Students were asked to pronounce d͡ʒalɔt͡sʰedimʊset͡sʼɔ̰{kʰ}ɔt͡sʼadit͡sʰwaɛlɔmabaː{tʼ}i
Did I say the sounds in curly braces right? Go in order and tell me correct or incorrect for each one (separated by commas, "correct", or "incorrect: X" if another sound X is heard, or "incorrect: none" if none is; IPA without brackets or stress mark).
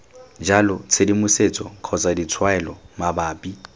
correct, incorrect: pʼ